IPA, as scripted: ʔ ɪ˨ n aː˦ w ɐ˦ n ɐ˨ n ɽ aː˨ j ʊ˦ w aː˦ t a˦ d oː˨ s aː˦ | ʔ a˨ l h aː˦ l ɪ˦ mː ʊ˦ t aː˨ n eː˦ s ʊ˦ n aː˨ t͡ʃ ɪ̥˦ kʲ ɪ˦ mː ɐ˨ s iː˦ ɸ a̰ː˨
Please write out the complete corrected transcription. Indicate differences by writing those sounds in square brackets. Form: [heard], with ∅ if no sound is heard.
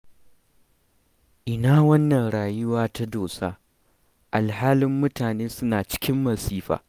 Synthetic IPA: ʔ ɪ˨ n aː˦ w ɐ˦ [nː] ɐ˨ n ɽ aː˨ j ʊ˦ w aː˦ t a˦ d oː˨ s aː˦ | ʔ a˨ l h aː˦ l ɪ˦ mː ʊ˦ t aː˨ n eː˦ s ʊ˦ n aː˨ t͡ʃ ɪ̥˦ kʲ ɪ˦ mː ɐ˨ s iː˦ ɸ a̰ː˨